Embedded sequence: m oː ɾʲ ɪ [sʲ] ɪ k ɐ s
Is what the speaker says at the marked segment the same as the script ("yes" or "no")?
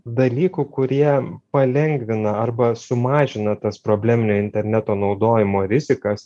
no